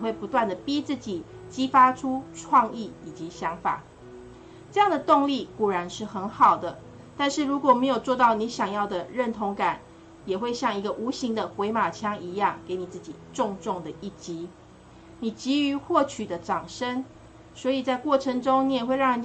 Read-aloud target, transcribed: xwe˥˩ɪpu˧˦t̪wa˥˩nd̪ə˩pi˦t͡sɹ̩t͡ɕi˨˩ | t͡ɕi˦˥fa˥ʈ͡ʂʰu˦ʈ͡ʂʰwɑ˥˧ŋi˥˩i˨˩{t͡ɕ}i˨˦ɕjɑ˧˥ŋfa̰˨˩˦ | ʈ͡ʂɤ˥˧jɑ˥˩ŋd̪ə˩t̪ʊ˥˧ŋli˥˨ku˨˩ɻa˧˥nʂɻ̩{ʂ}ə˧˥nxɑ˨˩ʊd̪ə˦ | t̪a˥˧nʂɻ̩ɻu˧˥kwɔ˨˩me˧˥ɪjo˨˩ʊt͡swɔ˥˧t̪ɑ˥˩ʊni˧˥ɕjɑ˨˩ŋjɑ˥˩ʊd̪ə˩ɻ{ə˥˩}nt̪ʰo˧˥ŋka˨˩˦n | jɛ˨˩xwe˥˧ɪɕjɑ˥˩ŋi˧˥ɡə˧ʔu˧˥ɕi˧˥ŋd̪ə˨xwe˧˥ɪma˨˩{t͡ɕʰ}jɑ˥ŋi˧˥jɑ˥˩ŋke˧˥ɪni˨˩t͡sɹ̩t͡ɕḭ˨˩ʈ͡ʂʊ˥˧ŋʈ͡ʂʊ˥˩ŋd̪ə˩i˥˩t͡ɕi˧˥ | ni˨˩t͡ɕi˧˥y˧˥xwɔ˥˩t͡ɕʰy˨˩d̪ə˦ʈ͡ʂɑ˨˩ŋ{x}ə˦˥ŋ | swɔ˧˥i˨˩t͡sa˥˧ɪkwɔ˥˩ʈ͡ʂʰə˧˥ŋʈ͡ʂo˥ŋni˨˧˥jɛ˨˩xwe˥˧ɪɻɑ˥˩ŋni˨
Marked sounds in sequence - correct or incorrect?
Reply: correct, incorrect, correct, correct, incorrect

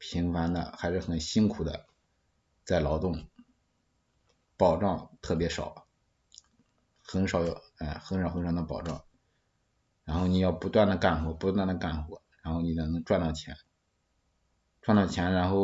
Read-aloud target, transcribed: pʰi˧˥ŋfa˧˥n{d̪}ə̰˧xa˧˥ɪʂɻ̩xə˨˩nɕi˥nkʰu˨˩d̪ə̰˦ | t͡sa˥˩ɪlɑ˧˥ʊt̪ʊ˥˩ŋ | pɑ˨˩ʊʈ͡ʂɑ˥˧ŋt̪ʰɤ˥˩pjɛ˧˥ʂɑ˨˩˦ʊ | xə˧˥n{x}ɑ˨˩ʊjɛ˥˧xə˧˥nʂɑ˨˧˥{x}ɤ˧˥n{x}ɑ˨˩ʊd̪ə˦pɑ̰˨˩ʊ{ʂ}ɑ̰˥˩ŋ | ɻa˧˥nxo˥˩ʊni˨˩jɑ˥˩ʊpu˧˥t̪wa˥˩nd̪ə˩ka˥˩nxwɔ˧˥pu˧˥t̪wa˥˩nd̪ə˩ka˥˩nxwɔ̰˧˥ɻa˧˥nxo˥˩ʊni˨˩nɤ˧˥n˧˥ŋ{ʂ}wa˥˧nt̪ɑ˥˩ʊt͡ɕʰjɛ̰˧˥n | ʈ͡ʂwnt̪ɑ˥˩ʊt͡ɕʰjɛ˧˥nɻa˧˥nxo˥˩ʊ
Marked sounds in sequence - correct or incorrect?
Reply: correct, incorrect, correct, incorrect, incorrect, incorrect

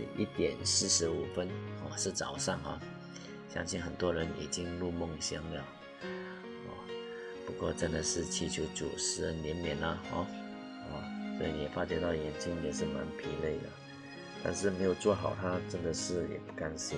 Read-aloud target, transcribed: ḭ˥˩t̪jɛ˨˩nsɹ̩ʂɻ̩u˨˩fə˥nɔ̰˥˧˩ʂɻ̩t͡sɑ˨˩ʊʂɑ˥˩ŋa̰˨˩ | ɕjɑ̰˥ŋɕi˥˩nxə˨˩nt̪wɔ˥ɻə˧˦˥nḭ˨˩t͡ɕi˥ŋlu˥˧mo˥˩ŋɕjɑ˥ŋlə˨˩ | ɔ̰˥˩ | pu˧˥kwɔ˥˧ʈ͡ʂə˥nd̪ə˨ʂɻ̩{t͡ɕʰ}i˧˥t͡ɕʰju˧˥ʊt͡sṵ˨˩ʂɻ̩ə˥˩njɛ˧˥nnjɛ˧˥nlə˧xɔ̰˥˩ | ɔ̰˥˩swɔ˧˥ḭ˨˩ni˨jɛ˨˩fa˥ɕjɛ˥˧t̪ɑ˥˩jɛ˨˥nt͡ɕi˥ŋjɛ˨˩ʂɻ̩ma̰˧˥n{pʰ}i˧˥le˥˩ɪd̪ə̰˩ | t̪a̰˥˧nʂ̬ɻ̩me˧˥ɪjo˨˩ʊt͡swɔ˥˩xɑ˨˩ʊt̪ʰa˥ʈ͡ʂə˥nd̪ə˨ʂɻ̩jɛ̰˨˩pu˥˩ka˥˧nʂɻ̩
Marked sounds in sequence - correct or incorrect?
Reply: correct, correct

